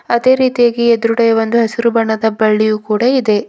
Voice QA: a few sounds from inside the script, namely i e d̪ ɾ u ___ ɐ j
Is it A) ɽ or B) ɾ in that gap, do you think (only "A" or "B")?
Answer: A